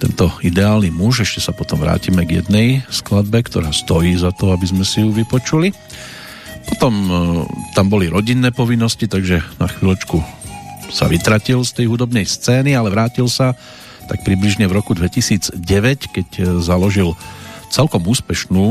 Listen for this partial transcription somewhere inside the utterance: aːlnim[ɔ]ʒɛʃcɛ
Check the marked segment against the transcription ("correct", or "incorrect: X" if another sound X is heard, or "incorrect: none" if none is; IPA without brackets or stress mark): incorrect: u